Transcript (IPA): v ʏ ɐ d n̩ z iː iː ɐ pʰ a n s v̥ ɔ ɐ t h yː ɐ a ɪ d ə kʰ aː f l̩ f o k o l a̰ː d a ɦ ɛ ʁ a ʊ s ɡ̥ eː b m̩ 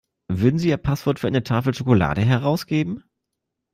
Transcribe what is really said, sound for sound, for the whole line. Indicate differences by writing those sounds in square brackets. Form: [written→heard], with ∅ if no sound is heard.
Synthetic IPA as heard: v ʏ ɐ d n̩ z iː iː ɐ pʰ a [n→∅] s v̥ ɔ ɐ t [h→f] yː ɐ a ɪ [d→n] ə [kʰ→tʰ] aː f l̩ [f→ʃ] o k o l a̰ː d [a→ə] ɦ ɛ ʁ a ʊ s ɡ̥ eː b m̩